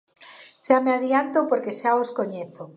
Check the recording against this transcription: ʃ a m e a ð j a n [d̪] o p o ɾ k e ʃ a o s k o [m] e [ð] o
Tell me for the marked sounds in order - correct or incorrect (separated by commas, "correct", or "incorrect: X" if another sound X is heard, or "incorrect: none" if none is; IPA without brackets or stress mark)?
incorrect: t̪, incorrect: ɲ, incorrect: θ